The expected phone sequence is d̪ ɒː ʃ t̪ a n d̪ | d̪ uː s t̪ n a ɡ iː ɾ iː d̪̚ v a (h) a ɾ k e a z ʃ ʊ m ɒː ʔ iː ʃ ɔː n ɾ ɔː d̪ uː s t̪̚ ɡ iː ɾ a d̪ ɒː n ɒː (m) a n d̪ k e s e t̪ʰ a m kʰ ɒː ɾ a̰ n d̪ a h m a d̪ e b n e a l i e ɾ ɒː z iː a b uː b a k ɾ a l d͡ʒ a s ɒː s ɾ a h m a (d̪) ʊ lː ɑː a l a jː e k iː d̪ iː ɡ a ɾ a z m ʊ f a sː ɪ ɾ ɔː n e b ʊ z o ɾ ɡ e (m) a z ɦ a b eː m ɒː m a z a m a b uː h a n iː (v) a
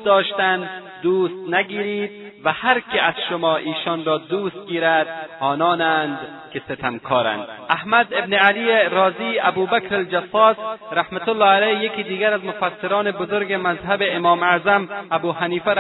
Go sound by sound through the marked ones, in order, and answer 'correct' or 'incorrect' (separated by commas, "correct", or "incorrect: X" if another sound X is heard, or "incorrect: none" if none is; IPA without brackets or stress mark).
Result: correct, incorrect: n, incorrect: t̪, correct, incorrect: f